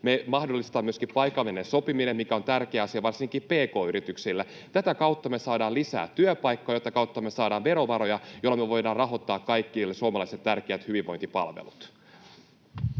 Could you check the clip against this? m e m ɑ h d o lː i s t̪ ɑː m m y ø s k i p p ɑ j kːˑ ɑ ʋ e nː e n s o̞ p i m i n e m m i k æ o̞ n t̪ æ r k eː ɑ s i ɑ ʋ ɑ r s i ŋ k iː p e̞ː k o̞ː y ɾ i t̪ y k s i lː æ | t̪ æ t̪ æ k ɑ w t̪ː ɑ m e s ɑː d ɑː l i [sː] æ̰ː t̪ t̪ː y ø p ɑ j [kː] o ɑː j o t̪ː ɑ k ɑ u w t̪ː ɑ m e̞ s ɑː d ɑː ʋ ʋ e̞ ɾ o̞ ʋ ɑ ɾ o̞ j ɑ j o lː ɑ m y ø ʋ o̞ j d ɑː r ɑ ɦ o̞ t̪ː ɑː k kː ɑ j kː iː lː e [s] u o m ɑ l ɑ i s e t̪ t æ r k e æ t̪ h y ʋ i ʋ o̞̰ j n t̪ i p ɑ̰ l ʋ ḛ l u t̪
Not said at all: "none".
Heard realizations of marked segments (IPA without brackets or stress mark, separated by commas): s, kː, s